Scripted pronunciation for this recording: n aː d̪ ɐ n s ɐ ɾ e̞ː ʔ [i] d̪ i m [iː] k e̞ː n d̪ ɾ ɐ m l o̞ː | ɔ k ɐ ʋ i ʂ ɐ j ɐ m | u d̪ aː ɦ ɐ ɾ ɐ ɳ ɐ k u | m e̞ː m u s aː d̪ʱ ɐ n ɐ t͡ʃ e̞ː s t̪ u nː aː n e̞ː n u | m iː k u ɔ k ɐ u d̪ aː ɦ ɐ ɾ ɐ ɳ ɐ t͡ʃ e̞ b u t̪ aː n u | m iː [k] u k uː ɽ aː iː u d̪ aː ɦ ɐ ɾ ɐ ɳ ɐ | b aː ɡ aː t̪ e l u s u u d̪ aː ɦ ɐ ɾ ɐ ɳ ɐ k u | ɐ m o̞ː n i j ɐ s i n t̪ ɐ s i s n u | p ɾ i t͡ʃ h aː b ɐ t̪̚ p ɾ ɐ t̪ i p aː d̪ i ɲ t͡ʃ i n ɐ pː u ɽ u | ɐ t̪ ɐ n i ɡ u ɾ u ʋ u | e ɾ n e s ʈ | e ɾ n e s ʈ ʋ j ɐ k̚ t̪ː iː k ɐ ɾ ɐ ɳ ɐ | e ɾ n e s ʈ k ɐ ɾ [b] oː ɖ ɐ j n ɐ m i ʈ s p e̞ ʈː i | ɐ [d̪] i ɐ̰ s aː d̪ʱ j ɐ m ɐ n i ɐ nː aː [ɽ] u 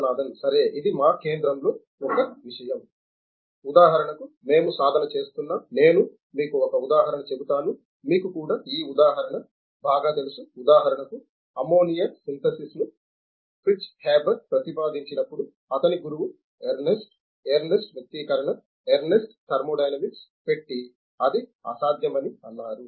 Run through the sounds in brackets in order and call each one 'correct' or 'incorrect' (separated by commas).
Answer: correct, incorrect, correct, incorrect, correct, incorrect